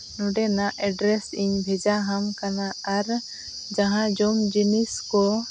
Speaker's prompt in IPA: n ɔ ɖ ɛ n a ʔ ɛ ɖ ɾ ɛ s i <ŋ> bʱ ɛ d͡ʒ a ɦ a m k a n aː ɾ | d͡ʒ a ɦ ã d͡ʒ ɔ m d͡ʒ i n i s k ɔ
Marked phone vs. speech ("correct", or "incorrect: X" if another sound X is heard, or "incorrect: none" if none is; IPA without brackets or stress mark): incorrect: ɲ